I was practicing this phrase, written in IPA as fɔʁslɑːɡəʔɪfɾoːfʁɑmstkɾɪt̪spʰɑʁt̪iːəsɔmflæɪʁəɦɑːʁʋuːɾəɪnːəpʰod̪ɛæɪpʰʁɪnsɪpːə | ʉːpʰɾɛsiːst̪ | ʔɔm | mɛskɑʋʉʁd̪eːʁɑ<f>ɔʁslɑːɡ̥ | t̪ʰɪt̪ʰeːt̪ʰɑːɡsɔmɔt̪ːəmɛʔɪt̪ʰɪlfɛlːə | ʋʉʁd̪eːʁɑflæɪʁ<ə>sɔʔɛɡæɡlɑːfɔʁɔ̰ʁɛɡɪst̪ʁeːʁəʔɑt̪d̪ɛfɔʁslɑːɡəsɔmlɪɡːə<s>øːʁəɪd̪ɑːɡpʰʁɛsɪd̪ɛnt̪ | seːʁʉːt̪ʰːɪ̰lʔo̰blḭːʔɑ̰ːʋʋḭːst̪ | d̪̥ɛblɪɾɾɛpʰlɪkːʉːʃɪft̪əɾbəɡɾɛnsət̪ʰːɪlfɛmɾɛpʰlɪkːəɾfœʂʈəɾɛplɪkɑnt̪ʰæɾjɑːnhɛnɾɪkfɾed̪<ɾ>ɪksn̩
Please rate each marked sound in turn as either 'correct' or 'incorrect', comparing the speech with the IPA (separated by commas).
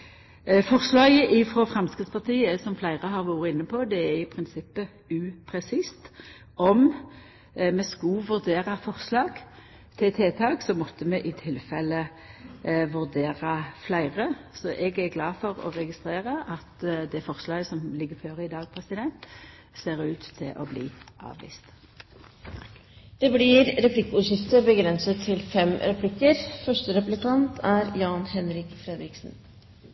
correct, correct, incorrect, correct